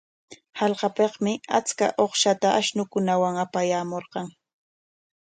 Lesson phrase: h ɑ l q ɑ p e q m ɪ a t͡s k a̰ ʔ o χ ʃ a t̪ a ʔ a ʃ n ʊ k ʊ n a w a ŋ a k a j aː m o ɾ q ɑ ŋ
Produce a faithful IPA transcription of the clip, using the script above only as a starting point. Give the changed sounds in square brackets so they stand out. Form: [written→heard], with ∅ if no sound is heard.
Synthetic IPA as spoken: h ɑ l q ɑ p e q m ɪ a t͡s k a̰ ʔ o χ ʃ a t̪ a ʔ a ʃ n ʊ k ʊ n a w a ŋ a [k→p] a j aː m o ɾ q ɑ ŋ